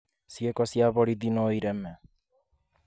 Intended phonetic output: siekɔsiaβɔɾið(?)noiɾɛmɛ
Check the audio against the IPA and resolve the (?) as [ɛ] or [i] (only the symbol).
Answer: i